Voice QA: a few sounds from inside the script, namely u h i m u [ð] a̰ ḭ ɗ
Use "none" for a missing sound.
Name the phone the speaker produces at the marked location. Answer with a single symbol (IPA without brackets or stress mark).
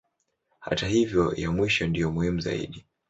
z